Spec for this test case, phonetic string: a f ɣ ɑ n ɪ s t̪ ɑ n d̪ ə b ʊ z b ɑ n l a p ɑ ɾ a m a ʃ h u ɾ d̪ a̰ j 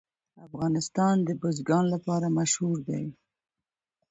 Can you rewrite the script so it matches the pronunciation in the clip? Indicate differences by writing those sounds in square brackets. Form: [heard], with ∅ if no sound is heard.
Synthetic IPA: a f ɣ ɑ n ɪ s t̪ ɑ n d̪ ə b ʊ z [ɡ] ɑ n l a p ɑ ɾ a m a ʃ h u ɾ d̪ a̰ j